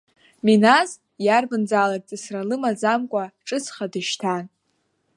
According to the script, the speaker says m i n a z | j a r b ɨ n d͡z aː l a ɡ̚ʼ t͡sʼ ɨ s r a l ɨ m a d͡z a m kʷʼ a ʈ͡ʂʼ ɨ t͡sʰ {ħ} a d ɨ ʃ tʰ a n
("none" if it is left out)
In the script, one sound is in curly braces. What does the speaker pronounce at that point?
χ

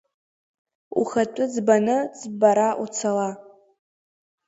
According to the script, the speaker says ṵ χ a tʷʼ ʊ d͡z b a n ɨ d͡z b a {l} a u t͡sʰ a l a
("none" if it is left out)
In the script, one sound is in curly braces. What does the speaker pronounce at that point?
ɾ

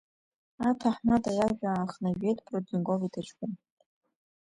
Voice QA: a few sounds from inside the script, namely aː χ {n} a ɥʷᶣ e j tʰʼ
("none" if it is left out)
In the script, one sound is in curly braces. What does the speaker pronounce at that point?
n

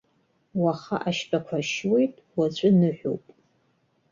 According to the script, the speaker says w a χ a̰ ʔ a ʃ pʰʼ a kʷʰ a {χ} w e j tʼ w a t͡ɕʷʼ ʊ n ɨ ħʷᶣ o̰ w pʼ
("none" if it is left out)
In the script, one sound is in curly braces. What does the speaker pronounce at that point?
ʃ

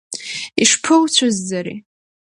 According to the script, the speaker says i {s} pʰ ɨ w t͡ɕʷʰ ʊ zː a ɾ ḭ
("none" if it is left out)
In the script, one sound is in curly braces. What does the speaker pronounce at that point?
ʂ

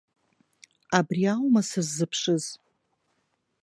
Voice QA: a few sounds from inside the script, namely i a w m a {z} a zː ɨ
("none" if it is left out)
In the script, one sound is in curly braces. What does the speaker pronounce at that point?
s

